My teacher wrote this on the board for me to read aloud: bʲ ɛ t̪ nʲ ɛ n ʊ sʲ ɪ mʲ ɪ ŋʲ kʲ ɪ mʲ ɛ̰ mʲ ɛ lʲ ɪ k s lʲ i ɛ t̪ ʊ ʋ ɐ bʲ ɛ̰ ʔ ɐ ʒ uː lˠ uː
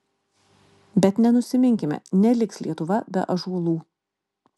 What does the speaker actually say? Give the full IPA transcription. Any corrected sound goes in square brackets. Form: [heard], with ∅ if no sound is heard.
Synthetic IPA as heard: bʲ ɛ t̪ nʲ ɛ n ʊ sʲ ɪ mʲ ɪ ŋʲ kʲ ɪ mʲ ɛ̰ [nʲ] ɛ lʲ ɪ k s lʲ i ɛ t̪ ʊ ʋ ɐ bʲ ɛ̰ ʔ ɐ ʒ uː lˠ uː